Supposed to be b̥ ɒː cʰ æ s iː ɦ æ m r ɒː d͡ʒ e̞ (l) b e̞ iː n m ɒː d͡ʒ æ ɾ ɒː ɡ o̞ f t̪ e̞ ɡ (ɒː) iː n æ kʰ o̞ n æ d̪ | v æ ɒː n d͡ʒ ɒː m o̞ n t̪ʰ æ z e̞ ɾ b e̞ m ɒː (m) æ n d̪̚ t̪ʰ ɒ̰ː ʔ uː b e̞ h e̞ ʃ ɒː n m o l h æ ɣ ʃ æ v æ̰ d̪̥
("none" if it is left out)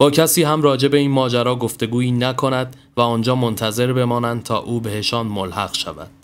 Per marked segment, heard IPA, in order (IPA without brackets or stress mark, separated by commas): none, uː, n